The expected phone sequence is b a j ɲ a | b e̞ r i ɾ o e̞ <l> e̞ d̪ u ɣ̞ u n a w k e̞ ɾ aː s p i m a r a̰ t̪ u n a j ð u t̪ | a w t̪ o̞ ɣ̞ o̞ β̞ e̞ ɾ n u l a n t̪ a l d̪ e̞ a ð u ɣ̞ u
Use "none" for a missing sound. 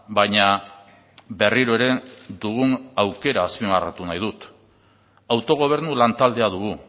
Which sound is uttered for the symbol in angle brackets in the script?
ɾ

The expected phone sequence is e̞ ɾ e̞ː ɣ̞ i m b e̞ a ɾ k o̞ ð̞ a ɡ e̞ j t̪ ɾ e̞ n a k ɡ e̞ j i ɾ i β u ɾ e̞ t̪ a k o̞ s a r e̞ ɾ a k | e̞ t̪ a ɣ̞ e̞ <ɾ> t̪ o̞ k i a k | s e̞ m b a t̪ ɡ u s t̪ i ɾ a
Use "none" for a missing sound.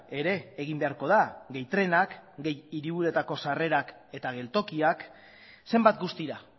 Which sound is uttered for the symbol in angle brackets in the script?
l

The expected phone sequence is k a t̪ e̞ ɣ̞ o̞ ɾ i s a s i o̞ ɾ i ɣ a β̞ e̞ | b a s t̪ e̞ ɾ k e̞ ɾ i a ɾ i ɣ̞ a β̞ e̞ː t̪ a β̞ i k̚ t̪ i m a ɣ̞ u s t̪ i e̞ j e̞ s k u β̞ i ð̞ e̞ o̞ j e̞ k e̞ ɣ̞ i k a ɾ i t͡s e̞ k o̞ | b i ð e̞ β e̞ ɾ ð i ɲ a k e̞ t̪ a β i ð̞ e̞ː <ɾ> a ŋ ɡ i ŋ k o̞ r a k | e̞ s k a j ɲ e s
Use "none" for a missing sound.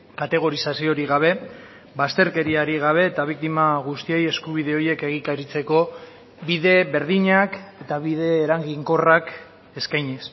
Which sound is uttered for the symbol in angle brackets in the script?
ɾ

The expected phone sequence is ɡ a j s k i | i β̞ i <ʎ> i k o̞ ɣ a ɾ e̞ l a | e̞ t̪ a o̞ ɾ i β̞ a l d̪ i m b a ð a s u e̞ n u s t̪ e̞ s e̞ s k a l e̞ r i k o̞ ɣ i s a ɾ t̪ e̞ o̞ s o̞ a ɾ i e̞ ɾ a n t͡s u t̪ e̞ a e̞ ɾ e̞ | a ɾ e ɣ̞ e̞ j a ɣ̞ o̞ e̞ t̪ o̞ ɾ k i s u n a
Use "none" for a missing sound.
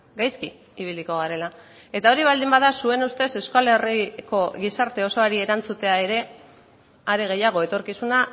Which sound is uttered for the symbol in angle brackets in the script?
l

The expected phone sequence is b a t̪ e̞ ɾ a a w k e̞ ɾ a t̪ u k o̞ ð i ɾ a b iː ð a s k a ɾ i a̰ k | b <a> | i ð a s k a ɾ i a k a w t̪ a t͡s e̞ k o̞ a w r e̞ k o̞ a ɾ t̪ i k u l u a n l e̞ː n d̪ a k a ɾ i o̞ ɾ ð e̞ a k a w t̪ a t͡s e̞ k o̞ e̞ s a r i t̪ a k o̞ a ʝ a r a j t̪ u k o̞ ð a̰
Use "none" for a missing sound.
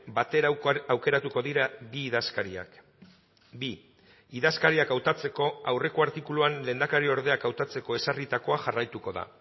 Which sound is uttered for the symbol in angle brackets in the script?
i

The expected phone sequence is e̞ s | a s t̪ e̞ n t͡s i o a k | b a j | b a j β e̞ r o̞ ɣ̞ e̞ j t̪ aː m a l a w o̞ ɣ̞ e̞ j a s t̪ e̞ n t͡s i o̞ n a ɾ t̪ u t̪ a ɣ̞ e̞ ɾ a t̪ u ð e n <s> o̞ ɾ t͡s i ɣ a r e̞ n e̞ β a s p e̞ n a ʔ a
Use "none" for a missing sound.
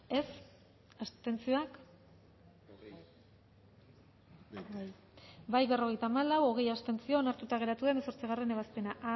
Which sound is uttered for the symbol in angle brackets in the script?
s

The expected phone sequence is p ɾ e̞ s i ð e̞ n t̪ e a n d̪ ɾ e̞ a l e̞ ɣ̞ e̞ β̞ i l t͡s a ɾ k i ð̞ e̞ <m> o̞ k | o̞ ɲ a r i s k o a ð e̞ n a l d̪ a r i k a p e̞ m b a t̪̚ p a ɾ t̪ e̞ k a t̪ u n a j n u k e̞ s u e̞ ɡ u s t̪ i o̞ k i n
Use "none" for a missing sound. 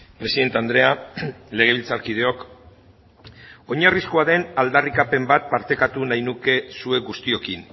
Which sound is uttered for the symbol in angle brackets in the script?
none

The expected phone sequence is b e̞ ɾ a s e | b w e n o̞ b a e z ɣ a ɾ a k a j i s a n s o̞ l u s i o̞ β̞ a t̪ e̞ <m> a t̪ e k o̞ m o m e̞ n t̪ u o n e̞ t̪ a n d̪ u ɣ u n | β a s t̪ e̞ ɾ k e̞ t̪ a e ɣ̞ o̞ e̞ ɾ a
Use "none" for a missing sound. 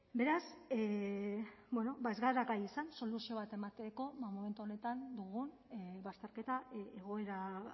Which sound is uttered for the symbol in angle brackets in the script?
m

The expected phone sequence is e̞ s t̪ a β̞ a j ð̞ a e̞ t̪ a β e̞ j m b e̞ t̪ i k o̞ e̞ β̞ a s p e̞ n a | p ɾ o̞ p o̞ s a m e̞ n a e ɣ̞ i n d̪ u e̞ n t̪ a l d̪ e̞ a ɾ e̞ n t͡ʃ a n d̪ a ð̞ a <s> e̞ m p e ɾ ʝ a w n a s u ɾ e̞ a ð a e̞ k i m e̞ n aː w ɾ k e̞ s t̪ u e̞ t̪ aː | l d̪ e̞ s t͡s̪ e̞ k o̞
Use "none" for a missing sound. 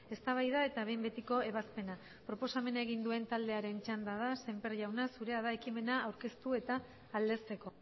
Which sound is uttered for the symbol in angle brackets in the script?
s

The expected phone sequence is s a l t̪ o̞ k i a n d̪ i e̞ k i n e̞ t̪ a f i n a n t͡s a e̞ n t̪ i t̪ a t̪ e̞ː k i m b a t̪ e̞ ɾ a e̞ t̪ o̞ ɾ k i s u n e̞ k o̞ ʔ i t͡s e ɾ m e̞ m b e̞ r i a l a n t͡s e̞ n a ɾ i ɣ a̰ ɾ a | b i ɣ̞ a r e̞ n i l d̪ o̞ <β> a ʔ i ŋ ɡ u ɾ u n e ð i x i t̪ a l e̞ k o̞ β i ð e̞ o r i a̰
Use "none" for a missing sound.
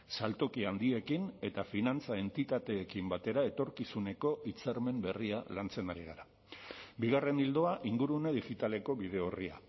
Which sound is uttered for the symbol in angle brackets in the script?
none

